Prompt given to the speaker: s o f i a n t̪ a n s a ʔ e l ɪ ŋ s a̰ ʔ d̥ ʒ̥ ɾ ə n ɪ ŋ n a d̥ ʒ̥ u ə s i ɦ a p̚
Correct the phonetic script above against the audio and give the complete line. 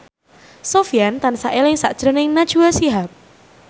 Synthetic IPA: s o f i a n t̪ a n s a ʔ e l ɪ ŋ s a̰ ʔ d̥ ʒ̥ ɾ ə n ɪ ŋ n a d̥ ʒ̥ u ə s i ɦ a p̚